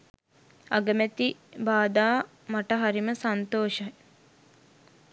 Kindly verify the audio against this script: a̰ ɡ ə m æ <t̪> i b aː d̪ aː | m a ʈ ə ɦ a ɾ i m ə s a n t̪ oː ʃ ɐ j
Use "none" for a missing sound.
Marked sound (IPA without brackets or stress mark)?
t̪